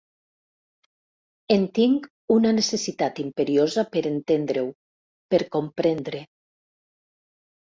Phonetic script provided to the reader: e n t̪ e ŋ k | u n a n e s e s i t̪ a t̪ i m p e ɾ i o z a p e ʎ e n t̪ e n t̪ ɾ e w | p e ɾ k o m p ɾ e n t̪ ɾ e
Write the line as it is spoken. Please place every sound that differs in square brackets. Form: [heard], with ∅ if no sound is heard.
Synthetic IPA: e n t̪ [i] ŋ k | u n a n e s e s i t̪ a t̪ i m p e ɾ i o z a p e [ɾ] e n t̪ e n [d̪] ɾ e w | p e ɾ k o m p ɾ e n [d̪] ɾ e

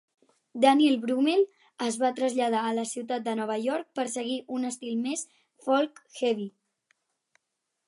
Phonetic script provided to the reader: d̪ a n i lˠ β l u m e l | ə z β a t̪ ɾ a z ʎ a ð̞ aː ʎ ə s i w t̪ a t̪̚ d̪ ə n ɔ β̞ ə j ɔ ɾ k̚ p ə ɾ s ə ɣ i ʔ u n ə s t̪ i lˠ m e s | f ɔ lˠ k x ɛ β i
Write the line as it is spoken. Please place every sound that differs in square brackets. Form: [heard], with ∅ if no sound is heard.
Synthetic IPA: d̪ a n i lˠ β [ɾ] u m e l | ə z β a t̪ ɾ [ə] z ʎ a ð̞ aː [l] ə s i w t̪ a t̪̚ d̪ ə n ɔ β̞ ə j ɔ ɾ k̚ p ə ɾ s ə ɣ i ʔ u n ə s t̪ i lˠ m e s | f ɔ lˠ k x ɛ β i

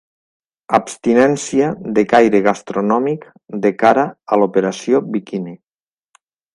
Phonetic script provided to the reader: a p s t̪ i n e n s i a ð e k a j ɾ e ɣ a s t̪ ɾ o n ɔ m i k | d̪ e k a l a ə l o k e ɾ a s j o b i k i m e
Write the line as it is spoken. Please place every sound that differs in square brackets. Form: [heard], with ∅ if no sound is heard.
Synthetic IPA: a p s t̪ i n [ɛ] n s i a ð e k a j ɾ e ɣ a s t̪ ɾ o n ɔ m i k | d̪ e k a [ɾ] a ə l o [p] e ɾ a s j o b i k i [n] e

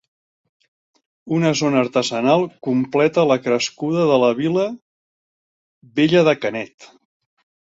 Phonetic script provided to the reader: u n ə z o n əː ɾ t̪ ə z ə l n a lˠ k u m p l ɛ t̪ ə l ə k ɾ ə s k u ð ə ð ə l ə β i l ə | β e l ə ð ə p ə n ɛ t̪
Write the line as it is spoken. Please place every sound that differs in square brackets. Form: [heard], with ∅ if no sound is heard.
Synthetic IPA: u n ə z o n əː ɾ t̪ ə z ə [∅] n a lˠ k u m p l ɛ t̪ ə l ə k ɾ ə s k u ð ə ð ə l ə β i l ə | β e [ʎ] ə ð ə [k] ə n ɛ t̪

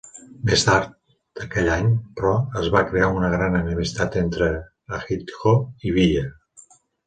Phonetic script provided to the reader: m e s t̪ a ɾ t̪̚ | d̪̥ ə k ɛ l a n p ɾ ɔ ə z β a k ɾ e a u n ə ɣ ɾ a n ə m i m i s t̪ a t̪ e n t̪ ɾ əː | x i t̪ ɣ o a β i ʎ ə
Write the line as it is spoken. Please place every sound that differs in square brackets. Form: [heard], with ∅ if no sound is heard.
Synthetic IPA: m e s t̪ a ɾ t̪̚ | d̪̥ ə k ɛ [ʎ] a [ɲ] p ɾ ɔ ə z β a k ɾ e a u n ə ɣ ɾ a n ə [n] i m i s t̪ a t̪ e n t̪ ɾ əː | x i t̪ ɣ o [i] β i ʎ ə

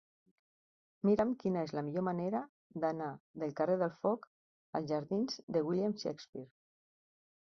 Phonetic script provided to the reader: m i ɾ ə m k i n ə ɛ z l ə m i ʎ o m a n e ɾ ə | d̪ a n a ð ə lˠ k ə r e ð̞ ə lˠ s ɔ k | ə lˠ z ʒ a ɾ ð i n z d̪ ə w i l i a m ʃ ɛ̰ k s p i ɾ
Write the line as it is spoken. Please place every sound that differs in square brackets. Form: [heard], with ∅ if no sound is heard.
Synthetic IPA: m i ɾ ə m k i n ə [e] z l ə m i ʎ o m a n e ɾ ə | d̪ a n a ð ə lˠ k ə r e ð̞ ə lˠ [f] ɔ k | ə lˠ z ʒ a ɾ ð i n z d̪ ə w i l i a m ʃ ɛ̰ k s p i ɾ

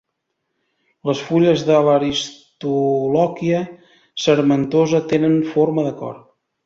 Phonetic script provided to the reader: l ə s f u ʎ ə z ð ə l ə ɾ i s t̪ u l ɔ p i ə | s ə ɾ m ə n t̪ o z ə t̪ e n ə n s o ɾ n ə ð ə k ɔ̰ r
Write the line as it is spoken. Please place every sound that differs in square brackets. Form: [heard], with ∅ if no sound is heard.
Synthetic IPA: l ə s f u ʎ ə z ð ə l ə ɾ i s t̪ u l ɔ [k] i ə | s ə ɾ m ə n t̪ o z ə t̪ e n ə n [f] o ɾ [m] ə ð ə k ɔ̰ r

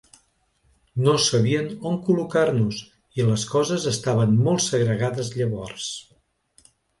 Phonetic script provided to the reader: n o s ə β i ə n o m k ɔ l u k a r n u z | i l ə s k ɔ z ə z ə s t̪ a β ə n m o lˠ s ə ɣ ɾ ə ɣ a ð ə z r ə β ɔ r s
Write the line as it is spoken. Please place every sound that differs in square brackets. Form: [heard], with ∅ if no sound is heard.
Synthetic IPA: n o s ə β i ə n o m k [u] l u k a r n u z | i l ə s k ɔ z ə z ə s t̪ a β ə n m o lˠ s ə ɣ ɾ ə ɣ a ð ə z [ʎ] ə β ɔ r s

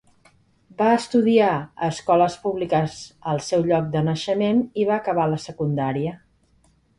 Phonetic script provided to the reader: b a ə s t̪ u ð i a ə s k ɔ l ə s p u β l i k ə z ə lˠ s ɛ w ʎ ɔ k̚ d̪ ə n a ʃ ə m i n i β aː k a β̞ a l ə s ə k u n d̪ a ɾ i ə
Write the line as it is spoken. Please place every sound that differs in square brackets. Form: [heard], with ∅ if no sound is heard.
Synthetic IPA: b a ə s t̪ u ð i a ə s k ɔ l ə s p u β l i k ə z ə lˠ s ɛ w ʎ ɔ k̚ d̪ ə n [ə] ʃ ə m [e] n i β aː k [ə] β̞ a l ə s ə k u n d̪ a ɾ i ə

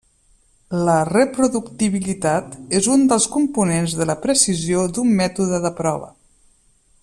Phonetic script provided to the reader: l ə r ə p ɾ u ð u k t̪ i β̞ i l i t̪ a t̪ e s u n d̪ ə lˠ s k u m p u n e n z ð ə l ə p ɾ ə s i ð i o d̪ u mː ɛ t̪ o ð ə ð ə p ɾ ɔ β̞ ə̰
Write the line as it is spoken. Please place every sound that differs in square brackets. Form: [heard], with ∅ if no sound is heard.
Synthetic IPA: l ə r ə p ɾ u ð u k t̪ i β̞ i l i t̪ a t̪ e [z] u n d̪ ə lˠ s k u m p u n e n z ð ə l ə p ɾ ə s i [z] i o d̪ u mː ɛ t̪ [u] ð ə ð ə p ɾ ɔ β̞ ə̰

